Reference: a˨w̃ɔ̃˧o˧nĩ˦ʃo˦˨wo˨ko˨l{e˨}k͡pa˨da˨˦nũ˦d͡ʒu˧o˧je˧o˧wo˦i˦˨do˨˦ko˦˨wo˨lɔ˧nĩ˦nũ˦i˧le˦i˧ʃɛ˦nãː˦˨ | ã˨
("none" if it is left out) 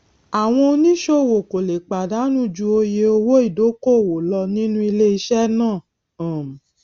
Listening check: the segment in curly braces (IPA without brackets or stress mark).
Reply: e˨